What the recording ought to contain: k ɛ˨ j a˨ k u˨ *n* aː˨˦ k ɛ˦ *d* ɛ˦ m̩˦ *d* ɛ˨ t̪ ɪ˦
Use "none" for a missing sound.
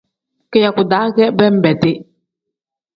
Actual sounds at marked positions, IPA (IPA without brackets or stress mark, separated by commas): d, b, b